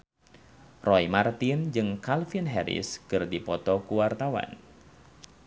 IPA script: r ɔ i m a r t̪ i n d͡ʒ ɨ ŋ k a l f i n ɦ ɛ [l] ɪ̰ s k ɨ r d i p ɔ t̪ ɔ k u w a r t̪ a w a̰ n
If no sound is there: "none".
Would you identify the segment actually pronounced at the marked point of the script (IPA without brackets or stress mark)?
ɾ